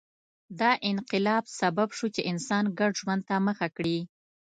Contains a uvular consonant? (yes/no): yes